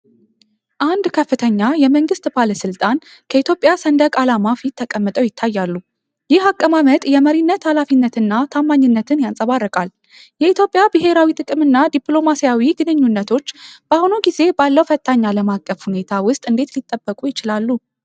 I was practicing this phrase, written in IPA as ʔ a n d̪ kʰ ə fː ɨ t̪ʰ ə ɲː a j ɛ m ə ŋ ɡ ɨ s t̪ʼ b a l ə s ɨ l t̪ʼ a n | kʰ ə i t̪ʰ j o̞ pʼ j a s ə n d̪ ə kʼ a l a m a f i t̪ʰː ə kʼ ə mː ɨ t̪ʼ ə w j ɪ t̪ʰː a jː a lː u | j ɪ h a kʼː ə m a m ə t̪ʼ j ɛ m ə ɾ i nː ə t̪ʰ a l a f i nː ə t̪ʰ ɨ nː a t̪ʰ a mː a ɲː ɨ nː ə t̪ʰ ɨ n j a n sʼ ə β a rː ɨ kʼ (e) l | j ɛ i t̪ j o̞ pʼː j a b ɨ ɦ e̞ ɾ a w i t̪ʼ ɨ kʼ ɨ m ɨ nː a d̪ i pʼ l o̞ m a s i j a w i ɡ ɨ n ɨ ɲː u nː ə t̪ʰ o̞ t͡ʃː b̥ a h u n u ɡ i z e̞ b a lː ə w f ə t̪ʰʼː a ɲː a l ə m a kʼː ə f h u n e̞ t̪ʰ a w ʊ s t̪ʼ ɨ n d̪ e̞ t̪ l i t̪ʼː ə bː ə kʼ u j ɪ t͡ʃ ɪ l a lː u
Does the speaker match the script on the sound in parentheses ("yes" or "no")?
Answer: no